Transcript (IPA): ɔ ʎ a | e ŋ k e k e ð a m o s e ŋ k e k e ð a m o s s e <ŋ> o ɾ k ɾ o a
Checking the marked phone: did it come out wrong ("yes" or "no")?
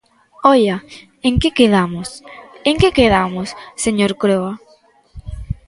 yes